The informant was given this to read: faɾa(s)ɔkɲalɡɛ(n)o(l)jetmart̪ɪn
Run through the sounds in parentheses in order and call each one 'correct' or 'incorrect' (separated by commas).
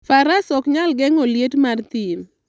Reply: correct, incorrect, correct